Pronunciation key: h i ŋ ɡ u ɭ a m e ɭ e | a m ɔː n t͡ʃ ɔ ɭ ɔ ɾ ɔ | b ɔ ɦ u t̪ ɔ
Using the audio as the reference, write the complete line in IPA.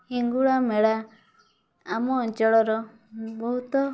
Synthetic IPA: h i ŋ ɡ u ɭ a m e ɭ a | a m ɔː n t͡ʃ ɔ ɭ ɔ ɾ ɔ | b ɔ ɦ u t̪ ɔ